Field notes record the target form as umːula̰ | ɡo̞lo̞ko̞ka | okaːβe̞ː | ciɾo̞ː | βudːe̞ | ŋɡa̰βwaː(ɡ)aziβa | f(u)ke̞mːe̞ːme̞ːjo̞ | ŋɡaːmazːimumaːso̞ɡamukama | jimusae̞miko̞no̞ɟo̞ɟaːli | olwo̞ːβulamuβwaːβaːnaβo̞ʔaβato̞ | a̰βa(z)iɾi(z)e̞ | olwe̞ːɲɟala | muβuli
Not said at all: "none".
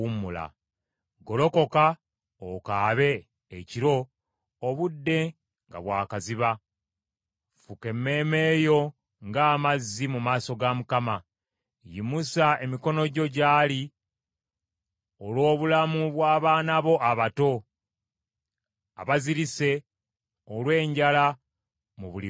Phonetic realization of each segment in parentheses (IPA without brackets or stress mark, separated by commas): k, u, z, s